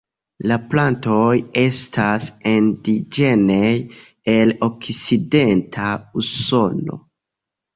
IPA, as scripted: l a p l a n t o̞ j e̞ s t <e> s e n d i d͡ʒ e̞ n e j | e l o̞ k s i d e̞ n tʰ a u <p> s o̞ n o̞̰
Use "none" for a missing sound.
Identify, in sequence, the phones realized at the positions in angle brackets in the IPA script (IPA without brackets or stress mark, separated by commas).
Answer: a, none